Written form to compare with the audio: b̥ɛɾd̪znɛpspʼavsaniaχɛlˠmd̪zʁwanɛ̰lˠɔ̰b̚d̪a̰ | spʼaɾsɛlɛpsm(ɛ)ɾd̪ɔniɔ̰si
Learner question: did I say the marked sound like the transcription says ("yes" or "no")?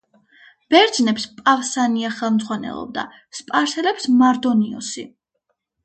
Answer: no